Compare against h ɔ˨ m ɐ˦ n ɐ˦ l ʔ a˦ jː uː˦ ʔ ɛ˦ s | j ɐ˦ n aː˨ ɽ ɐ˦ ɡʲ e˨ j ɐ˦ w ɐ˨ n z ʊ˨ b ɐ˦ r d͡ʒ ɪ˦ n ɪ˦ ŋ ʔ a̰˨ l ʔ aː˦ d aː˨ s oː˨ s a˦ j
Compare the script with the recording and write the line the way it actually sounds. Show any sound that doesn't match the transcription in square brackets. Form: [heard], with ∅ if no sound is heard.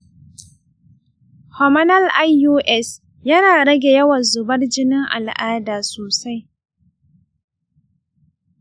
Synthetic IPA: h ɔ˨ m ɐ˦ n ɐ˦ l ʔ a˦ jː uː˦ ʔ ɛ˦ s | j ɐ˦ n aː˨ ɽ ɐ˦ ɡʲ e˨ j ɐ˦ w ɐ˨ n z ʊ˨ b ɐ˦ r d͡ʒ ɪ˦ n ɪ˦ ŋ ʔ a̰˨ l ʔ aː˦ d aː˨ s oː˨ s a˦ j